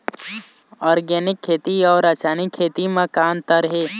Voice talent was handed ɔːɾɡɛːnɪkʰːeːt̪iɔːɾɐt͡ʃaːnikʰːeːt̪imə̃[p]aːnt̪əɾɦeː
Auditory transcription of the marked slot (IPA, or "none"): k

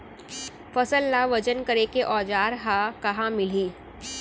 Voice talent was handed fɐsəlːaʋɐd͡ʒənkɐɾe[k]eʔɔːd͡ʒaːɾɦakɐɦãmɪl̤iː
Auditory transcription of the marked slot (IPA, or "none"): k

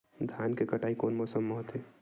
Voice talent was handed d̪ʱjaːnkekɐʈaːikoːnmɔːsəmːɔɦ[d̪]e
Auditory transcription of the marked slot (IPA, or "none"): t̪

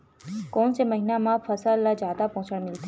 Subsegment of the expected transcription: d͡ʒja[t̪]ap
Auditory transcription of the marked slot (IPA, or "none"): d̪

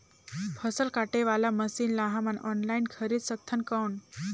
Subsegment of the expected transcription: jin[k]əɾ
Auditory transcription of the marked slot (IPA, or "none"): kʰ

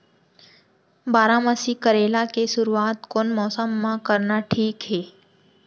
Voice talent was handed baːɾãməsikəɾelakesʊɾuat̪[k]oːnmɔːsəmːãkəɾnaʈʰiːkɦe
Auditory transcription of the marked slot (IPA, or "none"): k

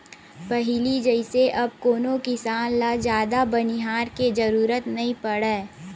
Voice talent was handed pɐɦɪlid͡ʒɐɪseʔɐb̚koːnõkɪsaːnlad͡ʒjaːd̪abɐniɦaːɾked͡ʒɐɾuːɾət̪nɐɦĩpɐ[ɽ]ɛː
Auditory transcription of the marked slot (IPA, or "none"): ɽ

